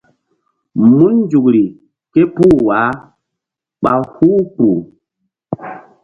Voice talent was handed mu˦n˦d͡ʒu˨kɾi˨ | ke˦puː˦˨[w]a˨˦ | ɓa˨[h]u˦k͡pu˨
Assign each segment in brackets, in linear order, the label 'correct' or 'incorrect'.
correct, correct

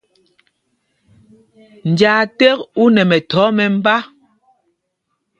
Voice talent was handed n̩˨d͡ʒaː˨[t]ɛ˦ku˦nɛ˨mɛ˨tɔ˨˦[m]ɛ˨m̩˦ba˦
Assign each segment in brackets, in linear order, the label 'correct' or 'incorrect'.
correct, correct

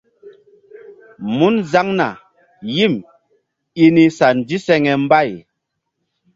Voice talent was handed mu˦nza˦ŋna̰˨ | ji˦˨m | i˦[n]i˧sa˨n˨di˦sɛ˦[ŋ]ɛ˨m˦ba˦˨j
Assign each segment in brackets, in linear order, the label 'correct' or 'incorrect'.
correct, correct

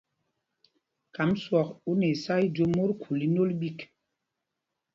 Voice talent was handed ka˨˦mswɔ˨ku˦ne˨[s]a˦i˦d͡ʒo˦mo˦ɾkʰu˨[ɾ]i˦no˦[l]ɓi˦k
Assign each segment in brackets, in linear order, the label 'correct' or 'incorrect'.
correct, incorrect: l, correct

